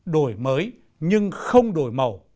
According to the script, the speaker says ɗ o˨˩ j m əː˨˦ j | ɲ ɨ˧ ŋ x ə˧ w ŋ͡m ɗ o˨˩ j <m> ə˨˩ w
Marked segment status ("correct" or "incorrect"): correct